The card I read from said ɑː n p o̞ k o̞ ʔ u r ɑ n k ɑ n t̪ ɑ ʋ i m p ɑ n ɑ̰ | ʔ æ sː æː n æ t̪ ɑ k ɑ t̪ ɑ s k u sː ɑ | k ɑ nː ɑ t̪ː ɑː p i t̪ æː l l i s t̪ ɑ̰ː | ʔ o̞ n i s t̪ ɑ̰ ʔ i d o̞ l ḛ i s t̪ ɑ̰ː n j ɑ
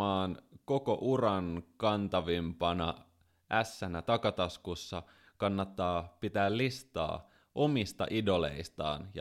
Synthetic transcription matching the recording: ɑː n k o̞ k o̞ ʔ u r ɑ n k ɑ n t̪ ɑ ʋ i m p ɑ n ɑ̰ | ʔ æ sː æ n æ t̪ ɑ k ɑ t̪ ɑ s k u sː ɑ | k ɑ nː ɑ t̪ː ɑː p i t̪ æː l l i s t̪ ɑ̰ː | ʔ o̞ m i s t̪ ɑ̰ ʔ i d o̞ l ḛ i s t̪ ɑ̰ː n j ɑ